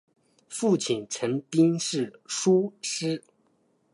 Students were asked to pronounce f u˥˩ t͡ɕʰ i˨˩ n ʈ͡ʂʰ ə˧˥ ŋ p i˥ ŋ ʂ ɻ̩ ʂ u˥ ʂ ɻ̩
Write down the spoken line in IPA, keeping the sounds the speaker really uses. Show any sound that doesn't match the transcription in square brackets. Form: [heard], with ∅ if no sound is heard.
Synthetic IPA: f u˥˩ t͡ɕʰ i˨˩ n ʈ͡ʂʰ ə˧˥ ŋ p i˥ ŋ ʂ ɻ̩ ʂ u˥ ʂ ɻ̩